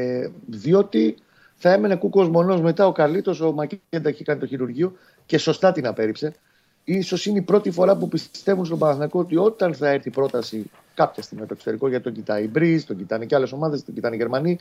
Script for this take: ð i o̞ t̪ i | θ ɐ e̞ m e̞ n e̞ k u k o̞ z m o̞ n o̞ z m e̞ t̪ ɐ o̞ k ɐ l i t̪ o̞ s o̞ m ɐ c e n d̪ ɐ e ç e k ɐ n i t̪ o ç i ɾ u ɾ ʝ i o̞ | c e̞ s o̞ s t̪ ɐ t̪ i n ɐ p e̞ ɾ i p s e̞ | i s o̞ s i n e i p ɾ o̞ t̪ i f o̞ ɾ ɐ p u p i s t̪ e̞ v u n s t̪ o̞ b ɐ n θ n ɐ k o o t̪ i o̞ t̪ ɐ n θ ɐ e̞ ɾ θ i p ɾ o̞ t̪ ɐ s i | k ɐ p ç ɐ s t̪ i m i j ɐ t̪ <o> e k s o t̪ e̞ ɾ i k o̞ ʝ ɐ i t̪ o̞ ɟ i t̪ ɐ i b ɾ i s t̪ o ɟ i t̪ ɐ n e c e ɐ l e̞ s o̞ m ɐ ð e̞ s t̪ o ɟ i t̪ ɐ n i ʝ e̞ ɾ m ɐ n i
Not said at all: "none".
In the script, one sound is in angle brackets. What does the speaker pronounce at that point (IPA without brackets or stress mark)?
o